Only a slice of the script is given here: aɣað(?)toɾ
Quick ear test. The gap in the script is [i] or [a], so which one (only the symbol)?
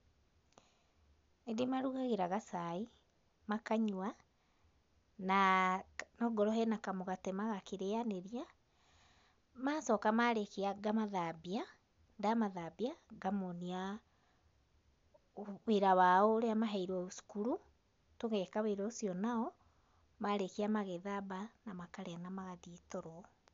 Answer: i